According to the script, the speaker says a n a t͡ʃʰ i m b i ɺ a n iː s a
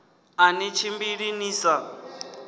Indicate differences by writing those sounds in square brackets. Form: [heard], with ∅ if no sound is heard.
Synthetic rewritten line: a n [i] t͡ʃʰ i m b i ɺ [i] n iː s a